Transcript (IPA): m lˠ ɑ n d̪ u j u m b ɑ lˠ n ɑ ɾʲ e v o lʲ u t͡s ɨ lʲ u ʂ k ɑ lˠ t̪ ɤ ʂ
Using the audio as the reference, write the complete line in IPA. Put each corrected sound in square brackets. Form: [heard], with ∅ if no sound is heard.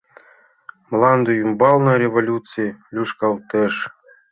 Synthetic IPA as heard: m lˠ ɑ n d̪ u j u m b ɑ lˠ n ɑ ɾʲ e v o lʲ u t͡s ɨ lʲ u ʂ k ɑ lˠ t̪ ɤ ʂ